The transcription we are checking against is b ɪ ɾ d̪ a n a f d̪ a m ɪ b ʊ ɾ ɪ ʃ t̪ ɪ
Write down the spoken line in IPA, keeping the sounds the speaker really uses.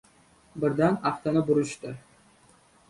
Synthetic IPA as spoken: b ɪ ɾ d̪ a n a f t̪ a n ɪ b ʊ ɾ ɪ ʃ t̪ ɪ